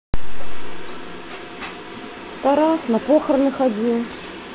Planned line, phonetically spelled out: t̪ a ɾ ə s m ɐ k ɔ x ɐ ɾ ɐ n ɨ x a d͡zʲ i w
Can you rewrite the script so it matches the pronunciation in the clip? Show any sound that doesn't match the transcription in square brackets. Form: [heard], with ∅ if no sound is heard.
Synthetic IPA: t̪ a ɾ [a] s [n] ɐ [p] ɔ x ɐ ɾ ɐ n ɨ x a d͡zʲ i w